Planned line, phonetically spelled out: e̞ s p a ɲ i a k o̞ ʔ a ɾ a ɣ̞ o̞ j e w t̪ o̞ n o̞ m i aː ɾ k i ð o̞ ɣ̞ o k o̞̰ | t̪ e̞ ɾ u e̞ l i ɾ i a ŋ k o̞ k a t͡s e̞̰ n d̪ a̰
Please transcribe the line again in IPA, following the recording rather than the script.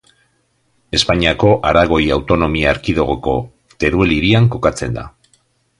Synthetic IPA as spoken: e̞ s p a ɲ i a k o̞ ʔ a ɾ a ɣ̞ o̞ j a w t̪ o̞ n o̞ m i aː ɾ k i ð o̞ ɣ̞ o k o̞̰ | t̪ e̞ ɾ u e̞ l i ɾ i a ŋ k o̞ k a t͡s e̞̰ n d̪ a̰